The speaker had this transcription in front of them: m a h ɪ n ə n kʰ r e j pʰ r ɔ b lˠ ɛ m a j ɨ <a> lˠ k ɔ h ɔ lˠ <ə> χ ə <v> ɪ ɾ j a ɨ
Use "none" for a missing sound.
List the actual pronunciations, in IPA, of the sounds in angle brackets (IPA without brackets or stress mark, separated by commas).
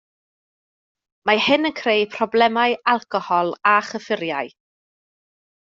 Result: a, a, f